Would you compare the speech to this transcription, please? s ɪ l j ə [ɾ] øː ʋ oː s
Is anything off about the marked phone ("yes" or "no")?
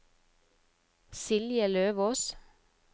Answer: yes